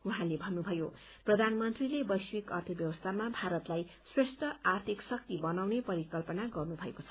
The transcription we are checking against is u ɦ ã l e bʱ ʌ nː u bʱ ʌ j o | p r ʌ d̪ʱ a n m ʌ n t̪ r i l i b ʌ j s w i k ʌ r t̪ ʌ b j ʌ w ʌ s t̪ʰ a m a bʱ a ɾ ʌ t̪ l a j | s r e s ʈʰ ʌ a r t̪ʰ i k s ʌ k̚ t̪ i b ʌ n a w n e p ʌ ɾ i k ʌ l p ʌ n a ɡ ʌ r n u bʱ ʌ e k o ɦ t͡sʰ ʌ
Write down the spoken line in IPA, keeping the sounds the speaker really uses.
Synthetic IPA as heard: u ɦ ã l e bʱ ʌ nː u bʱ ʌ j o | p r ʌ d̪ʱ a n m ʌ n t̪ r i l e b ʌ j s w i k ʌ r t̪ʰ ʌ b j ʌ w ʌ s t̪ʰ a m a bʱ a ɾ ʌ t̪ l a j | s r e s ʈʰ ʌ a r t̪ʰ i k s ʌ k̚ t̪ i b ʌ n a w n e p ʌ ɾ i k ʌ l p ʌ n a ɡ ʌ r n u bʱ ʌ e k o t͡sʰ ʌ